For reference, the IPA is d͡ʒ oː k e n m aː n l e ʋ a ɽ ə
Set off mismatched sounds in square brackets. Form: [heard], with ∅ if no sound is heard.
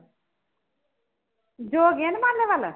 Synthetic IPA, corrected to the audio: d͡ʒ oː [ɡ] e n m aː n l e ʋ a [l] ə